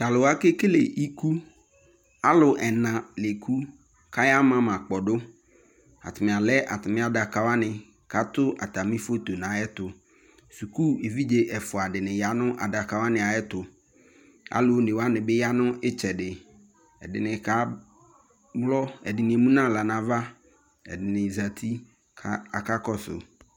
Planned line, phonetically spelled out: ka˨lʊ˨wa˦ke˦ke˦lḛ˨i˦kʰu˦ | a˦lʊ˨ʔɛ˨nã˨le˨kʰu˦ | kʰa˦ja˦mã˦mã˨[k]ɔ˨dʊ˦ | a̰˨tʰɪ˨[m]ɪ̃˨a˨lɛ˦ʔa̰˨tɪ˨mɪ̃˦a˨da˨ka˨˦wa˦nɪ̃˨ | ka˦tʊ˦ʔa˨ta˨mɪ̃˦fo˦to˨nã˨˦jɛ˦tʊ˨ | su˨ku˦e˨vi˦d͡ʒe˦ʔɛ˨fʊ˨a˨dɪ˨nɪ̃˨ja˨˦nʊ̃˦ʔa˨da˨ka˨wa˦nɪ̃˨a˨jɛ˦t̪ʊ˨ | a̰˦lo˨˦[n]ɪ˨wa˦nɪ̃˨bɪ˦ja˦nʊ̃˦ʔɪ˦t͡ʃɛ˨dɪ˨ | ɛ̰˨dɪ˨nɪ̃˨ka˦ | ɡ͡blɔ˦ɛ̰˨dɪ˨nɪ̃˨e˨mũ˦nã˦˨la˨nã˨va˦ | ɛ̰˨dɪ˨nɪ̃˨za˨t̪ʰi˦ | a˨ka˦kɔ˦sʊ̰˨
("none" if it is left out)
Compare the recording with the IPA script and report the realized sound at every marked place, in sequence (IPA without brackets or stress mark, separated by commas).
k͡p, m, n